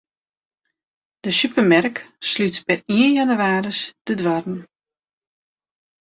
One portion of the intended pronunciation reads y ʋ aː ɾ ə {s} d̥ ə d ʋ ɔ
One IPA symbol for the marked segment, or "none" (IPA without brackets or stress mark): s